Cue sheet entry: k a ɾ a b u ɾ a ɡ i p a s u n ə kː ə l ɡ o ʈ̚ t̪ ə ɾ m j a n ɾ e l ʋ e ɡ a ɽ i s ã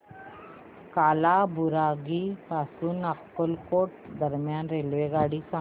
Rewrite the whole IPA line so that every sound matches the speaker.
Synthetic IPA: k a l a b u ɾ a ɡ i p a s u n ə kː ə l k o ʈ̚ d̪ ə ɾ m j a n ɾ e l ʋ e ɡ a ɽ i s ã

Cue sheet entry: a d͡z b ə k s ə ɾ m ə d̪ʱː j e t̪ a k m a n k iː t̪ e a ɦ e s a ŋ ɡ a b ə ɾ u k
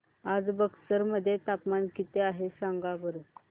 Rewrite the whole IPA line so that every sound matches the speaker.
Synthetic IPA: a d͡z b ə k s ə ɾ m ə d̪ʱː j e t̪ a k m a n k i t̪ e a ɦ e s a ŋ ɡ a b ə ɾ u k

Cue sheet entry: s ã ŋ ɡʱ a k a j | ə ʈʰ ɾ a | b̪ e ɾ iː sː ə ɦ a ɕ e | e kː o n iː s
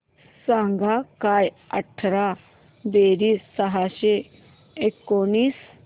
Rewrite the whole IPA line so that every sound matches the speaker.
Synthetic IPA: s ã ŋ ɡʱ a k a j | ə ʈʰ ɾ a | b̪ e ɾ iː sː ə ɦ a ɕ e | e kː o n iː s

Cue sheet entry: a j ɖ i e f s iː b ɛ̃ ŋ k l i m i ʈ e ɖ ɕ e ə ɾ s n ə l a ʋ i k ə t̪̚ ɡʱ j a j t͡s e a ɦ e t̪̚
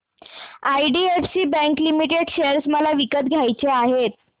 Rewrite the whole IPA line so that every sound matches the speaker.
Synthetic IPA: a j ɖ i e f s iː b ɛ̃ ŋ k l i m i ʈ e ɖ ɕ e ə ɾ s m ə l a ʋ i k ə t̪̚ ɡʱ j a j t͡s e a ɦ e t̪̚

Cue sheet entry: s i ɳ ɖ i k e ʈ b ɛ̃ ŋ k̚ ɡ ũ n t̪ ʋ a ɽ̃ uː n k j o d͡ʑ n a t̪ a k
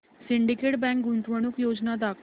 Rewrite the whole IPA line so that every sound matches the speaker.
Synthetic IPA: s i ɳ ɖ i k e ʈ b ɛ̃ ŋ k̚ ɡ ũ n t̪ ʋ ə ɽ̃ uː k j o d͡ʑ n a d̪ a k

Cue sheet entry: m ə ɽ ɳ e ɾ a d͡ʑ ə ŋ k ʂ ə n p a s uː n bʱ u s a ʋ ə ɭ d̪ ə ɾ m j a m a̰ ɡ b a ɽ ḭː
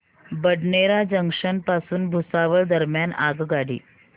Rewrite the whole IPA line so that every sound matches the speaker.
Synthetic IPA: b ə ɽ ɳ e ɾ a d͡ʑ ə ŋ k ʂ ə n p a s uː n bʱ u s a ʋ ə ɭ d̪ ə ɾ m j a n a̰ ɡ ɡ a ɽ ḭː

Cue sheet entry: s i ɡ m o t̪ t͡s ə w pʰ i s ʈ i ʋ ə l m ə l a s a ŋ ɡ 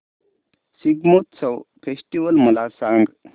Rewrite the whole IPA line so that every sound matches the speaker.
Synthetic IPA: s i ɡ m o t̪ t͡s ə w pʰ e s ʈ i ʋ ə l m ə l a s a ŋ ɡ

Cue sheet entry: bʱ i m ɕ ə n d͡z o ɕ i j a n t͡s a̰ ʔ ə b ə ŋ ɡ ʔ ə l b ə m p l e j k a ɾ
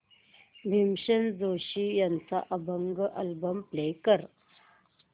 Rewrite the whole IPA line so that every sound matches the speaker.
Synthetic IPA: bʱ i m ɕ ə n d͡z o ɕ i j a n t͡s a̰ ʔ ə b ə ŋ ɡ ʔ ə l b ə m p l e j k ə ɾ

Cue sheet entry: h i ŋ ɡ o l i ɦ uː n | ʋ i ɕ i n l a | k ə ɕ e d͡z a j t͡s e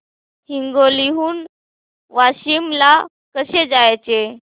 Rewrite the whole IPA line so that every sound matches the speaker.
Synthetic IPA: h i ŋ ɡ o l i ɦ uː n | ʋ a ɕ i m l a | k ə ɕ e d͡z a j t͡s e

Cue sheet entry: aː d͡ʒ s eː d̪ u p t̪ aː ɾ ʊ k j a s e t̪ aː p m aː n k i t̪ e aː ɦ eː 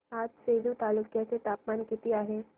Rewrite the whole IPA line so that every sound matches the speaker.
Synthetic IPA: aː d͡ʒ s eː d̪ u t̪ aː l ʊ k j a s e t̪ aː p m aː n k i t̪ i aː ɦ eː

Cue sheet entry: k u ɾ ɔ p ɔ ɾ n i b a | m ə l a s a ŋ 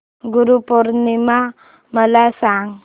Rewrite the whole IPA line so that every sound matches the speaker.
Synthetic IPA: ɡ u ɾ u p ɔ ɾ n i m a | m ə l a s a ŋ

